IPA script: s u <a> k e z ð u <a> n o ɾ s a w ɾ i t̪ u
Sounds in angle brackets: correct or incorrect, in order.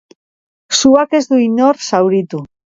correct, incorrect

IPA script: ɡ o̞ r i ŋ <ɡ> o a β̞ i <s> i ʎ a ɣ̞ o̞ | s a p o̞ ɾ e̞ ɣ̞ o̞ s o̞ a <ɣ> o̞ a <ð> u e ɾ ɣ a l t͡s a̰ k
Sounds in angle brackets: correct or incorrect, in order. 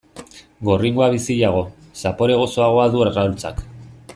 correct, correct, correct, correct

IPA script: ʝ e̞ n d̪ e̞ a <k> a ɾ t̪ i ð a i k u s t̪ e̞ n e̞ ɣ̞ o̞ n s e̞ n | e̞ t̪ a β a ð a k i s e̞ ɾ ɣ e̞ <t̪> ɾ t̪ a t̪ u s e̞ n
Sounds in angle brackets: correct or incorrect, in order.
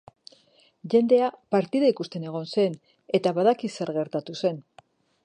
incorrect, incorrect

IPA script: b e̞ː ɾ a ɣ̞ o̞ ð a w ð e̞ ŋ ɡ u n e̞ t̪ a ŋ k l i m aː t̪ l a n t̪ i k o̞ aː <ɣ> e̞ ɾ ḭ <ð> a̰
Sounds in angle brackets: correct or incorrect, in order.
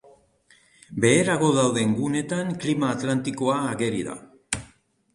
correct, correct

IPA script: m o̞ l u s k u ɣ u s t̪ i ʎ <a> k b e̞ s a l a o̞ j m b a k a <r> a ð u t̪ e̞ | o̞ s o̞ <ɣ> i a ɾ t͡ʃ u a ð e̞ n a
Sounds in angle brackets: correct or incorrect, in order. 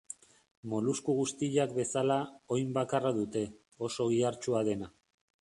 correct, correct, correct

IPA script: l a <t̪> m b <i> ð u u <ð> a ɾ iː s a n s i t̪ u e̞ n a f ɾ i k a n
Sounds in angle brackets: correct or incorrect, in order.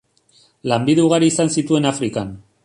incorrect, correct, incorrect

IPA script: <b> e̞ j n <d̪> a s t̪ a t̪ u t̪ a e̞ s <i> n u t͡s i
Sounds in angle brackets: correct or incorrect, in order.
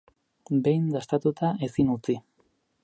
correct, correct, correct

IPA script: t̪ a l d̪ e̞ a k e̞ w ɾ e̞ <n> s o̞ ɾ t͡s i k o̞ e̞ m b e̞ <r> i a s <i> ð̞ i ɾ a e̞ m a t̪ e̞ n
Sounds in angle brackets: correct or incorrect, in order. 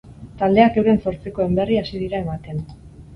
correct, correct, correct

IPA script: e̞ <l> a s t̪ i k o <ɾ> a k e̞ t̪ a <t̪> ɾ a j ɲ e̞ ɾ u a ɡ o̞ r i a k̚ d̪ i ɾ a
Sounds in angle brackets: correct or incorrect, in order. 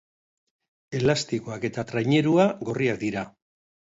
correct, incorrect, correct

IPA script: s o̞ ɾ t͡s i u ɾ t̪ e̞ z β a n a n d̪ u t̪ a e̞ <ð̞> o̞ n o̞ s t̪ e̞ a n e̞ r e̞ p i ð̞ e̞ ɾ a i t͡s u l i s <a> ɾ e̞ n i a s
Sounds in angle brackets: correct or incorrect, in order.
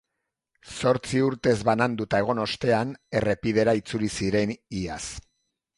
incorrect, incorrect

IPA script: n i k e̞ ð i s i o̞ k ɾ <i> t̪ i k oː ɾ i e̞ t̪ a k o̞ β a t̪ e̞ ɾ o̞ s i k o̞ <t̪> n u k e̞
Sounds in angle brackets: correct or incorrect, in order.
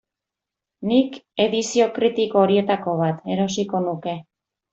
correct, incorrect

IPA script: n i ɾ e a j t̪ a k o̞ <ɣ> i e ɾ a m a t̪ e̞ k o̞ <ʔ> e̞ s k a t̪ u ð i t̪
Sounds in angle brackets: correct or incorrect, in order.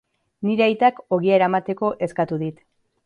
correct, correct

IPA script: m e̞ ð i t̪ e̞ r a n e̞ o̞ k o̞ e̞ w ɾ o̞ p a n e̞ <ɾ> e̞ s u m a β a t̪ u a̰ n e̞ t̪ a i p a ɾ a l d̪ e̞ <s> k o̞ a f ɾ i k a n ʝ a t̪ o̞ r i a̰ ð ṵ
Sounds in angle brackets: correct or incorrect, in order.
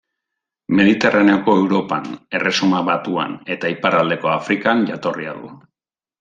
incorrect, incorrect

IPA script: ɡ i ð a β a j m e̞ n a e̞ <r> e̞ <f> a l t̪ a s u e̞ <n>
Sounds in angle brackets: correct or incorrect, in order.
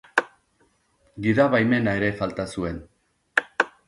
incorrect, correct, correct

